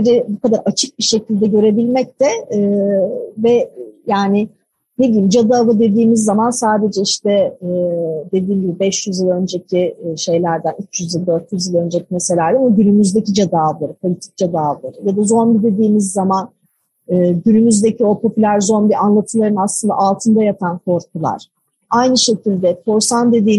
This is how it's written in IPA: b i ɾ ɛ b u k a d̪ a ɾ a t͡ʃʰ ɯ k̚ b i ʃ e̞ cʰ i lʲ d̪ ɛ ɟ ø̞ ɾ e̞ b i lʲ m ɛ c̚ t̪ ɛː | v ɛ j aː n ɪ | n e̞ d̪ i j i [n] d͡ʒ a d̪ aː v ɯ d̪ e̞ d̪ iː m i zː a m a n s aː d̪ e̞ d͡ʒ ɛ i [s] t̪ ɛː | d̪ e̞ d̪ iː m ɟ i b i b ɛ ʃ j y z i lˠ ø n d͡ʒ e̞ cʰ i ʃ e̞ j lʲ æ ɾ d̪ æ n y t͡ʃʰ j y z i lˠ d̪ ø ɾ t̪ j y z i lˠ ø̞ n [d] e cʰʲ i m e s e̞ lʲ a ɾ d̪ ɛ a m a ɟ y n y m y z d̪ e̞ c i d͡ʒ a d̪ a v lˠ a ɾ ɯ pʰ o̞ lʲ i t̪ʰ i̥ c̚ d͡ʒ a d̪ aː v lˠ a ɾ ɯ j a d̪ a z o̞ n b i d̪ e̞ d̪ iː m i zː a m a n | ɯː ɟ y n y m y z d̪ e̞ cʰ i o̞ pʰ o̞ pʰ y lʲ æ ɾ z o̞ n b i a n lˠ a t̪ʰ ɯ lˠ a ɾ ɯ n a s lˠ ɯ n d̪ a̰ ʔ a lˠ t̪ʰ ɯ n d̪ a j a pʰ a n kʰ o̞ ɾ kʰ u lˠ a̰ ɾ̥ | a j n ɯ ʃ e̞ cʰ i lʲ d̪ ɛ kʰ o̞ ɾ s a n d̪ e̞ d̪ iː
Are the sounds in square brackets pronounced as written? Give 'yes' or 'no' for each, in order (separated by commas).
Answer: no, no, no